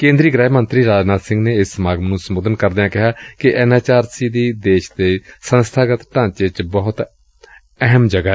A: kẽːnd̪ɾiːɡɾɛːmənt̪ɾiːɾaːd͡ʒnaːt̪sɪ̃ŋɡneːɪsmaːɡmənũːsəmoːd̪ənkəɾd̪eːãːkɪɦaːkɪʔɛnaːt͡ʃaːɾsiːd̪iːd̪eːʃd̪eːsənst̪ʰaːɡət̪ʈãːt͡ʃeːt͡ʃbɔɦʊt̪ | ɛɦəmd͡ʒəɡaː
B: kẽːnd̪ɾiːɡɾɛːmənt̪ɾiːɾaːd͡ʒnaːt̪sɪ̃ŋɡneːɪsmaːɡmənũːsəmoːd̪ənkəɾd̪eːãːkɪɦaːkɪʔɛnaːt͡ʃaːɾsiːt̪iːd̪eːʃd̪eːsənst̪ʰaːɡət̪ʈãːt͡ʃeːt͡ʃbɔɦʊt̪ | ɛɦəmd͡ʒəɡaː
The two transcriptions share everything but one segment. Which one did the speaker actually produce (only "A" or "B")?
A